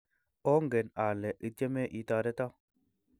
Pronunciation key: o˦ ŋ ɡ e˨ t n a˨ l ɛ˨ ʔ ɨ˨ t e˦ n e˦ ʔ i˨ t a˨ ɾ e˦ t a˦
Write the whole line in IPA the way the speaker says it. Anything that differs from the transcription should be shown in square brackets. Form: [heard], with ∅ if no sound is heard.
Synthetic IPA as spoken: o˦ ŋ ɡ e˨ [∅] n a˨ l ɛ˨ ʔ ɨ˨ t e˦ [m] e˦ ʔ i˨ t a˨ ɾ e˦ t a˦